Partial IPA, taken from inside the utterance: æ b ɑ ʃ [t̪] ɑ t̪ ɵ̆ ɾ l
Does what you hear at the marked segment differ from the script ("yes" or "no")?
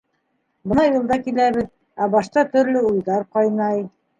no